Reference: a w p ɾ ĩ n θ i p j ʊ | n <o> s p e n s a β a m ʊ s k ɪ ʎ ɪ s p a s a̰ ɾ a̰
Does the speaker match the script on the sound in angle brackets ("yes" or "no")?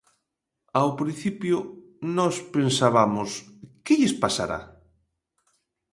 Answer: no